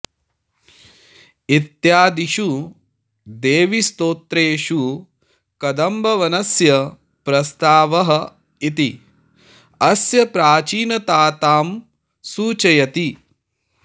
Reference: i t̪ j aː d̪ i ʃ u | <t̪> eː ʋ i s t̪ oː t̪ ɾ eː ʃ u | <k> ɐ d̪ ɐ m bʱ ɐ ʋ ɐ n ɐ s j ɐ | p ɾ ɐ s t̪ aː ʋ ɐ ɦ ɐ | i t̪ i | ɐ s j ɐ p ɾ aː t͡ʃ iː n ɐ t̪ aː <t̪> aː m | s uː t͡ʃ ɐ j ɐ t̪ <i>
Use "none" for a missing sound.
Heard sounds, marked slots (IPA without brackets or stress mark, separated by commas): d̪, k, t̪, i